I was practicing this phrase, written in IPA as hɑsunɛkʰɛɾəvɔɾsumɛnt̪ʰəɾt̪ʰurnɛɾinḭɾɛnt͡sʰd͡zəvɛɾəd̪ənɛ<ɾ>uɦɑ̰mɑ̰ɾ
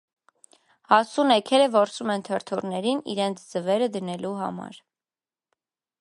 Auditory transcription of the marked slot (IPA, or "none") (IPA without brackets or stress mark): l